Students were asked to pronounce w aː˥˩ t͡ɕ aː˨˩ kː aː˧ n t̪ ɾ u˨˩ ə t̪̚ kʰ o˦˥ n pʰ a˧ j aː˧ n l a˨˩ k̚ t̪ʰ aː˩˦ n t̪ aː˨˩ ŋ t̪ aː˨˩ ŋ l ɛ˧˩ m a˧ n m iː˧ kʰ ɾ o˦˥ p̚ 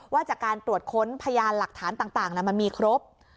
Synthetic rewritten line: w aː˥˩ t͡ɕ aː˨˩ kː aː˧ n t̪ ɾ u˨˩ ə t̪̚ kʰ o˦˥ n pʰ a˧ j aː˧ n l a˨˩ k̚ t̪ʰ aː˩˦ n t̪ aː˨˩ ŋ t̪ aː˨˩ ŋ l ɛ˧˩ m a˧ n m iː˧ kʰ ɾ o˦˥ p̚